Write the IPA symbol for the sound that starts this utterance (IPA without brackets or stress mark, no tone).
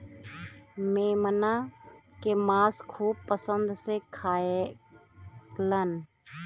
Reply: m